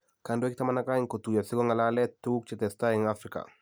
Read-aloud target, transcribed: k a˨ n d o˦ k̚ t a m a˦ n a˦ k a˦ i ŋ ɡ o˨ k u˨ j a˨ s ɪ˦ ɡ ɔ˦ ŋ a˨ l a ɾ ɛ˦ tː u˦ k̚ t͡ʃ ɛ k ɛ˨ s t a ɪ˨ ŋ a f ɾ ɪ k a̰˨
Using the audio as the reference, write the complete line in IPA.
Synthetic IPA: k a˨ n d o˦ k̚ t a m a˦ n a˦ k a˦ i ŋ k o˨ t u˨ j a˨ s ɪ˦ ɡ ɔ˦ ŋ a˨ l a l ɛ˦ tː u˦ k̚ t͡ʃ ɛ t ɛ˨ s t a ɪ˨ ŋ a f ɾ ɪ k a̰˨